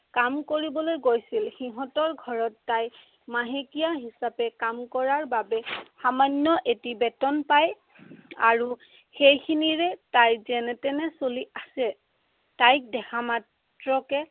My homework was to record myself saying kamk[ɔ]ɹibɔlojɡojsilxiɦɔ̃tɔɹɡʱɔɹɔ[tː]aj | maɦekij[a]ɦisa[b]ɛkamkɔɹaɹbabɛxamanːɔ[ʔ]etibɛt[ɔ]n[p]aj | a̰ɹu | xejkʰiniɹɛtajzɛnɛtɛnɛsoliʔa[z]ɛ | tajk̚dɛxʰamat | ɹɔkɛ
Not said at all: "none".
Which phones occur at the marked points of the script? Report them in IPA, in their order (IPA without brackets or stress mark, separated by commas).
o, tː, a, p, ʔ, ɔ, p, s